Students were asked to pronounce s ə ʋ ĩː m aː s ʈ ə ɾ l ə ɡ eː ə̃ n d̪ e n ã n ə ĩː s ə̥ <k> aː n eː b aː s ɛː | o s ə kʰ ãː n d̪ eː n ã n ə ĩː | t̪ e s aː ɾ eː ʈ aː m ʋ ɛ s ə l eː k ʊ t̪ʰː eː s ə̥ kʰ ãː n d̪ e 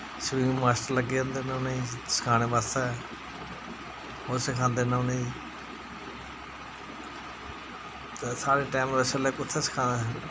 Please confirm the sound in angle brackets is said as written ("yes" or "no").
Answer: no